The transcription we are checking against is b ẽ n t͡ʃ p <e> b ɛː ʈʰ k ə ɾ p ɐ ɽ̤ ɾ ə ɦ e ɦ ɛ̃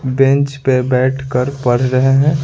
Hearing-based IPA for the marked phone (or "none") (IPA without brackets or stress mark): e